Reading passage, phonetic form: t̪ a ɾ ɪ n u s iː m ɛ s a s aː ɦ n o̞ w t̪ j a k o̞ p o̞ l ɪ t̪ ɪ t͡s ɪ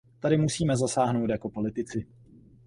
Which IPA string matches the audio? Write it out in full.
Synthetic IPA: t̪ a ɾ ɪ m u s iː m ɛ z a s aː ɦ n o̞ w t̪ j a k o̞ p o̞ l ɪ t̪ ɪ t͡s ɪ